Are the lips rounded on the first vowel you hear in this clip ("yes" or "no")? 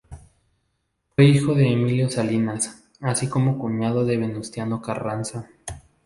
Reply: no